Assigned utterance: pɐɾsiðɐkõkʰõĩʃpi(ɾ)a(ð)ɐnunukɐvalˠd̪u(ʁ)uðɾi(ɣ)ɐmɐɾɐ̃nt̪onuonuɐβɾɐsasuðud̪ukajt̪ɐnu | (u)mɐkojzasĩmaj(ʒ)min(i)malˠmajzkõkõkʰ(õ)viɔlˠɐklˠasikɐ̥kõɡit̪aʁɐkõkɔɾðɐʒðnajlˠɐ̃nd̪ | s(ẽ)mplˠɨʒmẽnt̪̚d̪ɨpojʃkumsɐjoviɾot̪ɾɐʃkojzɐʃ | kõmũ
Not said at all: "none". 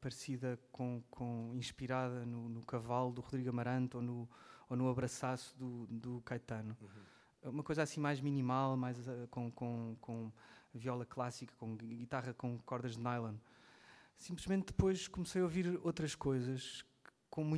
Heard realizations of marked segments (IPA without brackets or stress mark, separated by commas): ɾ, ð, ʁ, ɣ, u, ʒ, i, õ, ĩ